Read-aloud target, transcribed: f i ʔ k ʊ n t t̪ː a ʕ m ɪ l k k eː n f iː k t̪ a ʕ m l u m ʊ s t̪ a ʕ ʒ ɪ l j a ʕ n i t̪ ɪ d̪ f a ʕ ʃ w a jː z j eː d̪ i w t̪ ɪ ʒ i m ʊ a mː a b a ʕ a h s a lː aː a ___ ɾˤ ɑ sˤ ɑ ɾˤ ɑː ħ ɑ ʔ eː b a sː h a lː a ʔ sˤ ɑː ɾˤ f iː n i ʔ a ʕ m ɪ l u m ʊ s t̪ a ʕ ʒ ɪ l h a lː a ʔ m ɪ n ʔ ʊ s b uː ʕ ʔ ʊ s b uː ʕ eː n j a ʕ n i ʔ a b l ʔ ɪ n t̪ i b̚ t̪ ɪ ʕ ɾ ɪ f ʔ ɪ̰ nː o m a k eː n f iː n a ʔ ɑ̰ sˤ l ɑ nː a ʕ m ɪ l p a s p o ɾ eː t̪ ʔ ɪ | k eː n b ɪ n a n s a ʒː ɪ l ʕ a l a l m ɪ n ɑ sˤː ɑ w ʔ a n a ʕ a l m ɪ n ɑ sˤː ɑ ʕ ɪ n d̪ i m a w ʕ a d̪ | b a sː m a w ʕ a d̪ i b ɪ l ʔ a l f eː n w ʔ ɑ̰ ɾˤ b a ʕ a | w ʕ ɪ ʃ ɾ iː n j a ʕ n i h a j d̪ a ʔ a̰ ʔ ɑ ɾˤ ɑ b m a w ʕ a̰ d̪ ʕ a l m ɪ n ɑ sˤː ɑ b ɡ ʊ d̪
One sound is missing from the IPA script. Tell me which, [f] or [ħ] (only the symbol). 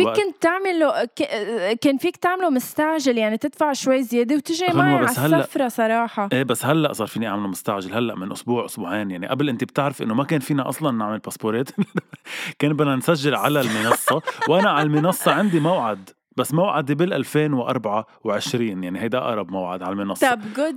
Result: f